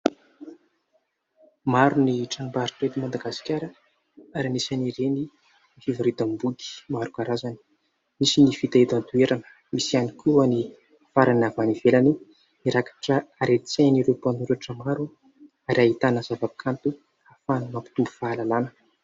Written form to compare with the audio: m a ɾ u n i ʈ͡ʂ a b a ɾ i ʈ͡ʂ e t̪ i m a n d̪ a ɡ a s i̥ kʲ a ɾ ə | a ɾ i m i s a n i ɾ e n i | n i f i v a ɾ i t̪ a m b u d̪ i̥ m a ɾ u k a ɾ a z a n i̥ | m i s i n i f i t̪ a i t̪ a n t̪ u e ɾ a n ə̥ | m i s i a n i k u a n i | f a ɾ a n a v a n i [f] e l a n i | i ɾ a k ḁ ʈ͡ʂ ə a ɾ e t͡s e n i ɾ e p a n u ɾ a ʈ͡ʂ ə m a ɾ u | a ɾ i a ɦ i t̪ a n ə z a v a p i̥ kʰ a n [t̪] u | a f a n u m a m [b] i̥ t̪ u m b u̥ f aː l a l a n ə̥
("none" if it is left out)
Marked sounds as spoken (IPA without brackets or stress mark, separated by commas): v, t̪, p